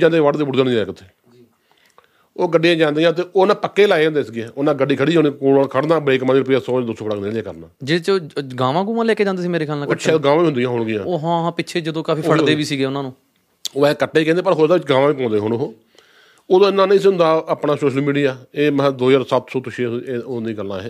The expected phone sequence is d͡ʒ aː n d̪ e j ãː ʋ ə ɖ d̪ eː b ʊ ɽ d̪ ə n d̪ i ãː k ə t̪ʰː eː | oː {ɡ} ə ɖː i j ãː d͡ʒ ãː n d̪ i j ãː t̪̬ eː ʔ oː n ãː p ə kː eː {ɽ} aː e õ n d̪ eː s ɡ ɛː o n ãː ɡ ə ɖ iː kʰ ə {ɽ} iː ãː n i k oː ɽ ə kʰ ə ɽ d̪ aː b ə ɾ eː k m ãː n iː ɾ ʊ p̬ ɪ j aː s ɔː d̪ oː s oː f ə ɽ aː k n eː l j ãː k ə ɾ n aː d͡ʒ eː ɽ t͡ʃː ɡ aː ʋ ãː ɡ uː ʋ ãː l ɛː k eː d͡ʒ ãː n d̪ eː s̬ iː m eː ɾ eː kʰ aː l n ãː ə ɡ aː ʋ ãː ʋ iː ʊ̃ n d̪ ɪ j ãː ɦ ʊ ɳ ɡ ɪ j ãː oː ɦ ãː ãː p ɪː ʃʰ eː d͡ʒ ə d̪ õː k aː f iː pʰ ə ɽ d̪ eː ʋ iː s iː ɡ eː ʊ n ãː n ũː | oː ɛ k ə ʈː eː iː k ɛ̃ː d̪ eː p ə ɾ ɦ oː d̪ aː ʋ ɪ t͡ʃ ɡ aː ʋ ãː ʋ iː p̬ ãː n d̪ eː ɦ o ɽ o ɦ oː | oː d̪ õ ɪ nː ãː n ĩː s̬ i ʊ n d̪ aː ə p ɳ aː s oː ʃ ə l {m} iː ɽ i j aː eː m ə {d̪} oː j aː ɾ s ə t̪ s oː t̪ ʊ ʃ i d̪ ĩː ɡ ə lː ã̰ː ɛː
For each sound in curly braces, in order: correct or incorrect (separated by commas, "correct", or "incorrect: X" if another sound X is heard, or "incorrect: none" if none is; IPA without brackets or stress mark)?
correct, incorrect: l, correct, correct, correct